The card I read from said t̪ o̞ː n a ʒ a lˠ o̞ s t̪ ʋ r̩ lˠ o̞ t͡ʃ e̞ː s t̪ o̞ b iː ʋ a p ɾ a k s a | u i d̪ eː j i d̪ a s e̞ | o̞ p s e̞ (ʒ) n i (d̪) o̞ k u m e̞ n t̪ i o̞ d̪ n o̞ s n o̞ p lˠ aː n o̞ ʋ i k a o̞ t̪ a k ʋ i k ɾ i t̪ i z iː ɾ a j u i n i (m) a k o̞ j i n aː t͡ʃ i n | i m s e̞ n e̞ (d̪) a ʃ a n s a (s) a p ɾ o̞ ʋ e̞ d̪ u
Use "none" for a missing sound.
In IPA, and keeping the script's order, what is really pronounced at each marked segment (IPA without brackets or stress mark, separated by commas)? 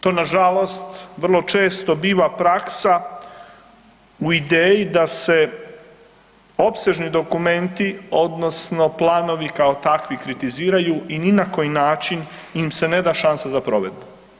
ʒ, d̪, n, d̪, z